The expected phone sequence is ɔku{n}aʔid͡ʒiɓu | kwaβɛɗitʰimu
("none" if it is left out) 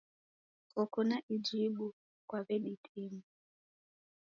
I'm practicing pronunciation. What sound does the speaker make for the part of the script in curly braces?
n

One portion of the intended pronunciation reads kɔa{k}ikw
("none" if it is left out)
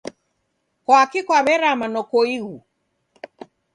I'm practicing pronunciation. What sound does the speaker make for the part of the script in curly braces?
k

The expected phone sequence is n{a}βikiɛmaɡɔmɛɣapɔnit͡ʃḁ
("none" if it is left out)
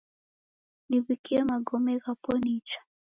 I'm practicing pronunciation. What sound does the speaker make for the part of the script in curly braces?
i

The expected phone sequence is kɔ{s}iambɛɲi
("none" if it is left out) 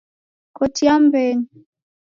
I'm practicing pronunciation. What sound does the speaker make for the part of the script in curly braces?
t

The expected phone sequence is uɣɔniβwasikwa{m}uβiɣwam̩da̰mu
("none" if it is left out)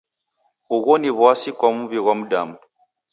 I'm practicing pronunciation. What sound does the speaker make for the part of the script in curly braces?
m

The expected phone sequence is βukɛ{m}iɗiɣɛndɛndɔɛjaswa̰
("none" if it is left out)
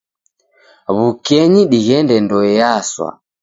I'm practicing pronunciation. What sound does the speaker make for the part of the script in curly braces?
ɲ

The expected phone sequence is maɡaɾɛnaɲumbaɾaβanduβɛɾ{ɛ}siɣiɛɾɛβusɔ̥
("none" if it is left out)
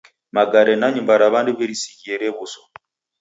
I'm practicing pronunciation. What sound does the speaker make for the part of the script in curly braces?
i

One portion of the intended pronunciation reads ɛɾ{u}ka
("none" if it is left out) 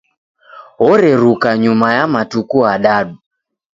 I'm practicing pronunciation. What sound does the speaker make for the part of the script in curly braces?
u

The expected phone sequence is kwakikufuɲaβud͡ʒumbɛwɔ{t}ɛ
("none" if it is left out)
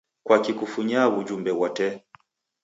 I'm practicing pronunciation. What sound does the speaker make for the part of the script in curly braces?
t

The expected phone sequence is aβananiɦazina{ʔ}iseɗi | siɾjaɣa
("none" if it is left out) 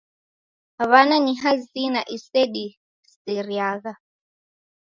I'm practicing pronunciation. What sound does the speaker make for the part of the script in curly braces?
ʔ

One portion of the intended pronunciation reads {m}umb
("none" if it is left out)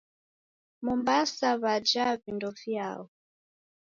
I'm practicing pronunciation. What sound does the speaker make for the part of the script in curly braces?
m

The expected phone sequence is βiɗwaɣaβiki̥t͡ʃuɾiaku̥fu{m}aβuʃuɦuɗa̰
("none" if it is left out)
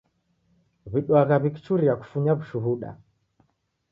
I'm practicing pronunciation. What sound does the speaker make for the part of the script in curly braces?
ɲ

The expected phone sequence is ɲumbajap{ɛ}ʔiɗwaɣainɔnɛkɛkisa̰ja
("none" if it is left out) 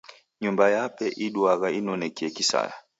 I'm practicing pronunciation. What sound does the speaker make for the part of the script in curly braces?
ɛ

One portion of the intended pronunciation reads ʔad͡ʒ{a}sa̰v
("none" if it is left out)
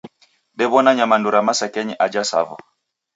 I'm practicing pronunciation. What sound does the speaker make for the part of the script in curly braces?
a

